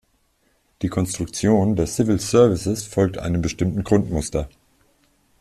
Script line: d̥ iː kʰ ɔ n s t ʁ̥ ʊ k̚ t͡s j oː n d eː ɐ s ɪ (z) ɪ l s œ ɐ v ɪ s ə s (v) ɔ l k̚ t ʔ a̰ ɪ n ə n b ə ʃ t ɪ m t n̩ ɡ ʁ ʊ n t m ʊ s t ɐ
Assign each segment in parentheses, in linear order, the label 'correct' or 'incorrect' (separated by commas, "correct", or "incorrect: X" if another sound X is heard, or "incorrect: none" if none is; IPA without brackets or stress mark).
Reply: incorrect: v, incorrect: f